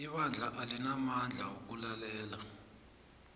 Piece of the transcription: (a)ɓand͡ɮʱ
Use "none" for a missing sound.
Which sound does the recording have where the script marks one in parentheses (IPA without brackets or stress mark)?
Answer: i